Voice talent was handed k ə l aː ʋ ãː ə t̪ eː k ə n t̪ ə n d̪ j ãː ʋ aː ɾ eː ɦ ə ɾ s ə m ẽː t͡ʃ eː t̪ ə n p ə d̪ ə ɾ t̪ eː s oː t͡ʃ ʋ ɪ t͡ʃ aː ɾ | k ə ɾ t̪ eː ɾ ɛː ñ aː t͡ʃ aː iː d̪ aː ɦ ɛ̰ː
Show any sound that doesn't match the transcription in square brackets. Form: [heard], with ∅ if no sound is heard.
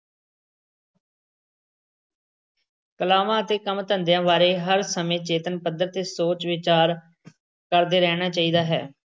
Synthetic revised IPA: k ə l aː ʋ ãː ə t̪ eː k ə [m] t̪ ə n d̪ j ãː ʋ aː ɾ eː ɦ ə ɾ s ə m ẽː t͡ʃ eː t̪ ə n p ə d̪ ə ɾ t̪ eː s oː t͡ʃ ʋ ɪ t͡ʃ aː ɾ | k ə ɾ [d̪] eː ɾ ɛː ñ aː t͡ʃ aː iː d̪ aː ɦ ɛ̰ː